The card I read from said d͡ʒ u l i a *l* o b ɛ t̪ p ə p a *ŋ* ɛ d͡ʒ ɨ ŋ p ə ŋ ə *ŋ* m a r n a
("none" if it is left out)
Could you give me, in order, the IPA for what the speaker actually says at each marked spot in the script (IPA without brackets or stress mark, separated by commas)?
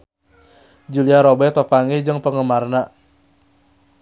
ɾ, ŋ, none